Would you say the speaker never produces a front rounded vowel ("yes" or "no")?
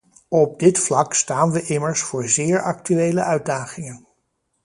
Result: no